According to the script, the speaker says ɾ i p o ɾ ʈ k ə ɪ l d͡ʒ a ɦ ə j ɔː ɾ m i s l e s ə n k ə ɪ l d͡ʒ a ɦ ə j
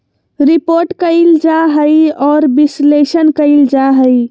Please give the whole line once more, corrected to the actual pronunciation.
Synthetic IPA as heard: ɾ i p o ɾ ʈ k ə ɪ l d͡ʒ a ɦ ə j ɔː ɾ b i s l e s ə n k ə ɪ l d͡ʒ a ɦ ə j

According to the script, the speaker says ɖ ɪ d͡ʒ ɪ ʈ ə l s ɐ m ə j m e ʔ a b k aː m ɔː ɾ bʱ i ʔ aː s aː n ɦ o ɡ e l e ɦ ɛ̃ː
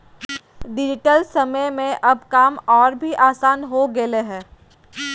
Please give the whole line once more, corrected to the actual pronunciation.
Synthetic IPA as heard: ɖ ɪ d͡ʒ ɪ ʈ ə l s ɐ m ə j m ẽ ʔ ɐ b k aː m ɔː ɾ bʱ i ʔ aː s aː n ɦ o ɡ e l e ɦ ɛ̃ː

